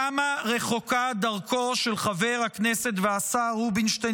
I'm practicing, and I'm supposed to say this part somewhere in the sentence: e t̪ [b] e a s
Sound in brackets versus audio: incorrect: v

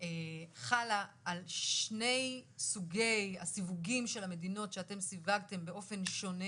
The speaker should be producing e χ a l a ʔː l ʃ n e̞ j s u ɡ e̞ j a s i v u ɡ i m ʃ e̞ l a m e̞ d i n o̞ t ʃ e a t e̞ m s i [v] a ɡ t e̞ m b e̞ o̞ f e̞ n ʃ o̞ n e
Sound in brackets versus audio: correct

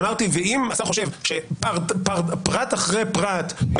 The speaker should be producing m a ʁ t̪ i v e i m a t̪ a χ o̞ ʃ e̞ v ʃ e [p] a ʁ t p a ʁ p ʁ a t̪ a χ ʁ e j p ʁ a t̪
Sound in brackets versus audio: correct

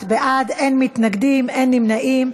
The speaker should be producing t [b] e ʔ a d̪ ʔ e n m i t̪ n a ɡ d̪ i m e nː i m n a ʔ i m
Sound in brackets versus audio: correct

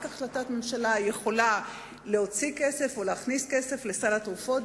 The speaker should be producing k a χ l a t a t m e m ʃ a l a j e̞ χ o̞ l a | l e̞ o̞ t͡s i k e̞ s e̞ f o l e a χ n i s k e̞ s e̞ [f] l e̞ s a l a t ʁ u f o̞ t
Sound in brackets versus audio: correct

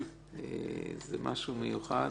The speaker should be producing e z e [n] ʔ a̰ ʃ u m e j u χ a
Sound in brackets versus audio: incorrect: m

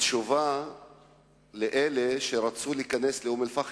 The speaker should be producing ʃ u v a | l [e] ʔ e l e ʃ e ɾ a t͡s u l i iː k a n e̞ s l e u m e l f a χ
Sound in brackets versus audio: correct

